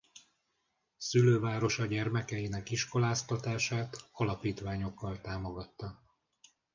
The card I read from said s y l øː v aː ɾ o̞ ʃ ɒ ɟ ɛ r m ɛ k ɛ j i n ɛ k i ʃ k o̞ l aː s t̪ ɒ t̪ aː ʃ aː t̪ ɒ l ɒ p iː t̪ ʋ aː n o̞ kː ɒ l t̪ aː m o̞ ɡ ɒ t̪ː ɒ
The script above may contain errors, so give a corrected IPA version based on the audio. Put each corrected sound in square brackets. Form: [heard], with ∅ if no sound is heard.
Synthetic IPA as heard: s y l øː v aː ɾ o̞ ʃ ɒ ɟ ɛ r m ɛ k ɛ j i n ɛ k i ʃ k o̞ l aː s t̪ ɒ t̪ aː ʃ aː t̪ ɒ l ɒ p iː t̪ ʋ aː [ɲ] o̞ kː ɒ l t̪ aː m o̞ ɡ ɒ t̪ː ɒ